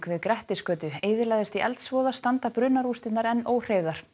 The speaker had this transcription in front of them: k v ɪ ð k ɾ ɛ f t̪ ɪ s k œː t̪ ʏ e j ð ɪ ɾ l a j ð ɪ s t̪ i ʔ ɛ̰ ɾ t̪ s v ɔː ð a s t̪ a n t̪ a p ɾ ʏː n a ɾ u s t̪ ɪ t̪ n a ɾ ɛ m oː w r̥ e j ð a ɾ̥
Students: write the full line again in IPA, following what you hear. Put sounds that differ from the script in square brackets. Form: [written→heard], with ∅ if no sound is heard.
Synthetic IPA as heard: k v ɪ ð k ɾ ɛ [f→h] t̪ ɪ s k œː t̪ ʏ e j ð ɪ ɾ l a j ð ɪ s t̪ i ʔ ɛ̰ [ɾ→l] t̪ s v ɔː ð a s t̪ a n t̪ a p ɾ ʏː n a ɾ u s t̪ ɪ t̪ n a ɾ ɛ [m→n] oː w r̥ e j ð a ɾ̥